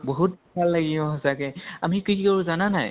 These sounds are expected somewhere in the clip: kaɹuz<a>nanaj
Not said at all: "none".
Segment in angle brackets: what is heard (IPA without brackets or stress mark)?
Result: a